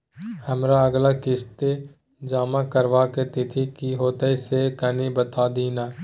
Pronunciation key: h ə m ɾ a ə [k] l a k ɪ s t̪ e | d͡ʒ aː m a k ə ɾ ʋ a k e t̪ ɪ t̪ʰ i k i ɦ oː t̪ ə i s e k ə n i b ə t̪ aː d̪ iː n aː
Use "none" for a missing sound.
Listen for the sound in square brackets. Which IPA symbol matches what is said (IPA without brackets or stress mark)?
ɡ